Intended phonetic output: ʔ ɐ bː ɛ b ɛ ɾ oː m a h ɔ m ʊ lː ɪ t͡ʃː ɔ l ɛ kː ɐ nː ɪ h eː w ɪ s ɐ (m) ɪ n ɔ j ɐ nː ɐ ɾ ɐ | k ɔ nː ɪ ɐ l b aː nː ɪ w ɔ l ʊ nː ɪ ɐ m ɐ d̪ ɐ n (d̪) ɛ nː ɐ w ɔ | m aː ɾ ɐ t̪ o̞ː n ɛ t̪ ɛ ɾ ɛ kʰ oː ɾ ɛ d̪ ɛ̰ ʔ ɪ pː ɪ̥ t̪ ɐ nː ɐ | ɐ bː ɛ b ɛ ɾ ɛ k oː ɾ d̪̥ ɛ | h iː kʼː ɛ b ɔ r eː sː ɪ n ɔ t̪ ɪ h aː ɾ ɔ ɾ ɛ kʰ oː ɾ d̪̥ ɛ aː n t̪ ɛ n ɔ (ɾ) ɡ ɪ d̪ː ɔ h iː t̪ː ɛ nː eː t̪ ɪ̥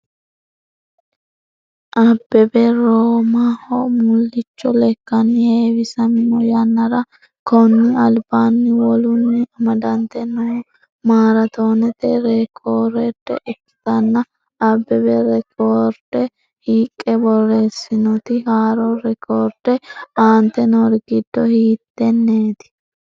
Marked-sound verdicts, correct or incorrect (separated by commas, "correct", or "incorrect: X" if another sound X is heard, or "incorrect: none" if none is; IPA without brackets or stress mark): correct, incorrect: t̪, correct